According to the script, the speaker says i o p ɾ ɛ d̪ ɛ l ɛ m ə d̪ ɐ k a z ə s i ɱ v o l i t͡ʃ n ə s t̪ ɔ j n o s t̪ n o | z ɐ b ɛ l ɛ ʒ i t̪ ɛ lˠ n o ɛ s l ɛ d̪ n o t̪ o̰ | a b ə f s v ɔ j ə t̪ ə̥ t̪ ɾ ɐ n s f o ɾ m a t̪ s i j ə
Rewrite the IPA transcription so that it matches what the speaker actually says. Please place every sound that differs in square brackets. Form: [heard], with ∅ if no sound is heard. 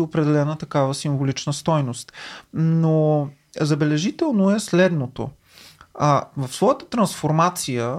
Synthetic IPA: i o p ɾ ɛ d̪ ɛ l ɛ [n] ə [t̪] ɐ k a [v] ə s i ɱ v o l i t͡ʃ n ə s t̪ ɔ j n o s t̪ n o | z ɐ b ɛ l ɛ ʒ i t̪ ɛ lˠ n o ɛ s l ɛ d̪ n o t̪ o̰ | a [v] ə f s v ɔ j ə t̪ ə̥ t̪ ɾ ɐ n s f o ɾ m a t̪ s i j ə